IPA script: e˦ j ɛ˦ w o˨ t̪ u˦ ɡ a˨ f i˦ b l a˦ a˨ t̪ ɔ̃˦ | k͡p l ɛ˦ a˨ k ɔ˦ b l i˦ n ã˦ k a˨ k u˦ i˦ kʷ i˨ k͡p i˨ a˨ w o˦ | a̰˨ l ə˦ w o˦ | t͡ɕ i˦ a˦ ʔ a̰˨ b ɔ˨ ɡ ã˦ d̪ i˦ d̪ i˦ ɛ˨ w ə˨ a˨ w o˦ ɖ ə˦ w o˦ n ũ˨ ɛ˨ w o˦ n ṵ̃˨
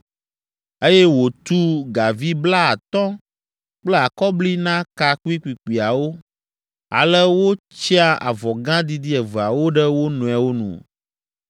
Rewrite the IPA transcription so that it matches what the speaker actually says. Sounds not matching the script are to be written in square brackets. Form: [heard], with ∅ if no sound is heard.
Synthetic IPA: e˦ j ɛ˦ w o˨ t̪ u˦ ɡ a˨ [v] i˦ b l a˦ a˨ t̪ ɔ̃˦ | k͡p l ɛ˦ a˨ k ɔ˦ b l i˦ n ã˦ k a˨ k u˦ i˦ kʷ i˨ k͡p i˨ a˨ w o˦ | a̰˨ l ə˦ w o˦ | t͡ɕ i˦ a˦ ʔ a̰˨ [v] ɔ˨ ɡ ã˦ d̪ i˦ d̪ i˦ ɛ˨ [v] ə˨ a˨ w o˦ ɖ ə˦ w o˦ n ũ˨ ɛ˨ w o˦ n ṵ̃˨